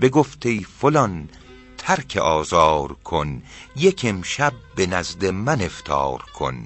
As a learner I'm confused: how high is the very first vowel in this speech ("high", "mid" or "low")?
mid